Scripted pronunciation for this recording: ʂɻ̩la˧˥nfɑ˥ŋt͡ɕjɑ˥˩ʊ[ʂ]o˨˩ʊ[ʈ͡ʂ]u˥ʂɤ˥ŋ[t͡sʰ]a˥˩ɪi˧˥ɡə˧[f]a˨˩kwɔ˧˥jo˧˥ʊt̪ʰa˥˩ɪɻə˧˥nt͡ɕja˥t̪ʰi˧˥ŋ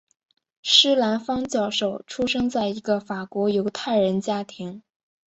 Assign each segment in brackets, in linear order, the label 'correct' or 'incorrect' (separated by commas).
correct, incorrect, incorrect, correct